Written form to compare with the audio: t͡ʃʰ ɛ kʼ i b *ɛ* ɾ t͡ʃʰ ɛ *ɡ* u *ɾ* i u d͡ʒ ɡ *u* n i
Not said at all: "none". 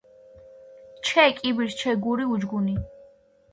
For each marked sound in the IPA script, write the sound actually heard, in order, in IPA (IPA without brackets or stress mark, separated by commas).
i, ɡ, ɾ, u